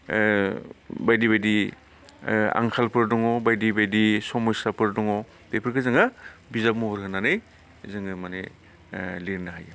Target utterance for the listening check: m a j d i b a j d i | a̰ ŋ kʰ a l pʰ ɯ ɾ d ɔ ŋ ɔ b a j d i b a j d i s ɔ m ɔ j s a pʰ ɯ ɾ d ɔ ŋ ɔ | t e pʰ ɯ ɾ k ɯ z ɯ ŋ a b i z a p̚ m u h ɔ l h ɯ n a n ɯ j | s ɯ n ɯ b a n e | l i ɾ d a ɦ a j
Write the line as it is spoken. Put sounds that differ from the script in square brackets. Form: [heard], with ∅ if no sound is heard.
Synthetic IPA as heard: [b] a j d i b a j d i | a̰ ŋ kʰ a l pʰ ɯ ɾ d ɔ ŋ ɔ b a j d i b a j d i s ɔ m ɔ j s a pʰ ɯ ɾ d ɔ ŋ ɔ | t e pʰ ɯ ɾ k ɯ z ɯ ŋ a b i z a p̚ m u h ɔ [ɾ] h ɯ n a n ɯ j | [z] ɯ [ŋ] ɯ [m] a n e | l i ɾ [n] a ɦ a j